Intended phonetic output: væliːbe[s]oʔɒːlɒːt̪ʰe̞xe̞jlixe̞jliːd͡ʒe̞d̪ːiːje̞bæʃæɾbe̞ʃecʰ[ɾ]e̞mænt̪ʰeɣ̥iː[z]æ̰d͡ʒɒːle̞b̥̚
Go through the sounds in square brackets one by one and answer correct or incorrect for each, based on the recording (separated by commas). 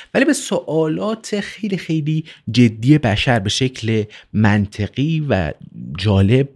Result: correct, incorrect, incorrect